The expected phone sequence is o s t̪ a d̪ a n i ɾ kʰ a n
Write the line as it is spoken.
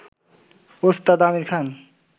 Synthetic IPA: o s t̪ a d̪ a m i ɾ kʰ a n